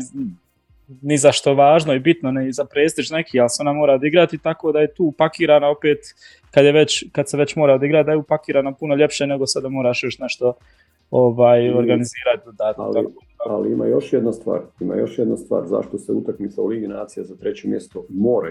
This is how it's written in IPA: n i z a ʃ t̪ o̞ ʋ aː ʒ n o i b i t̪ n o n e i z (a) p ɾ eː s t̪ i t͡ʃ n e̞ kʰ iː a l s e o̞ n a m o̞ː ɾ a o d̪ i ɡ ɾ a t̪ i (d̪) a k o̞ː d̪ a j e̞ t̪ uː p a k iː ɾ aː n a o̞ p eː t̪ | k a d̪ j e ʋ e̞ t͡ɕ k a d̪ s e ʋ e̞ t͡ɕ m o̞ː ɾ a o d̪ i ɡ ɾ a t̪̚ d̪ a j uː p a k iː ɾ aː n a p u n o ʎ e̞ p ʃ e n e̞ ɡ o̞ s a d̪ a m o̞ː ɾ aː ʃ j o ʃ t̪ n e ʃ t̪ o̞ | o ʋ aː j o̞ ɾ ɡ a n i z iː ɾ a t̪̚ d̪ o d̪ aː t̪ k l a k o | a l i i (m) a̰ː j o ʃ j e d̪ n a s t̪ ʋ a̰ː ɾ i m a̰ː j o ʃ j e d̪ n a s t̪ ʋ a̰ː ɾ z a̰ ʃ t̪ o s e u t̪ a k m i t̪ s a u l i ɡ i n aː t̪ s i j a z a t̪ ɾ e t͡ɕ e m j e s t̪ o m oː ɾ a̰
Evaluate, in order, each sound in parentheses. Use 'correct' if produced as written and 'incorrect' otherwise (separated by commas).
correct, incorrect, correct